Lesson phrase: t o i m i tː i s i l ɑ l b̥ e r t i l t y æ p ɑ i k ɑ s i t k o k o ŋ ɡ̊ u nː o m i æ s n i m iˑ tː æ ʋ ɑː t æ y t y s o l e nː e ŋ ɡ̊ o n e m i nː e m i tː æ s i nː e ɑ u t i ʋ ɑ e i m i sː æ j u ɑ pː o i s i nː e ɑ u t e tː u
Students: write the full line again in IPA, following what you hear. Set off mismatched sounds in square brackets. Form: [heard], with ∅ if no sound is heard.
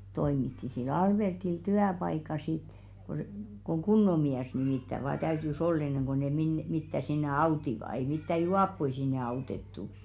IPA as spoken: t o i m i tː i s i l ɑ l b̥ e r t i l t y æ p ɑ i k ɑ s i t k o k o ŋ ɡ̊ u nː o m i æ s n i m iˑ tː æ ʋ ɑː t æ y t y s o l e nː e ŋ ɡ̊ o n e m i nː e m i tː æ s i nː e ɑ u t i ʋ ɑ e i m i [tː] æ j u ɑ pː o i s i nː e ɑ u t e tː u